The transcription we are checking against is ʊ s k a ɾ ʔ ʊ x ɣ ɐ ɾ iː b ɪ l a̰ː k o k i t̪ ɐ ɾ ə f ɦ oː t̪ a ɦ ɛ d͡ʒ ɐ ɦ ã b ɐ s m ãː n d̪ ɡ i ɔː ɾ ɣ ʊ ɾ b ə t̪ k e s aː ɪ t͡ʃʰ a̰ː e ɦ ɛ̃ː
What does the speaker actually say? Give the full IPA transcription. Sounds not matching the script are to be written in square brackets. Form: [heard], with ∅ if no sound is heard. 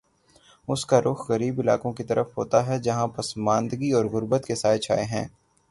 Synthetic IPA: ʊ s k a ɾ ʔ ʊ x ɣ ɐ ɾ iː b ɪ l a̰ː k [õ] k i t̪ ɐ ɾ ə f ɦ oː t̪ a ɦ ɛ d͡ʒ ɐ ɦ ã [p] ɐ s m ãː n d̪ ɡ i ɔː ɾ ɣ ʊ ɾ b ə t̪ k e s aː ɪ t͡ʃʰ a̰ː e ɦ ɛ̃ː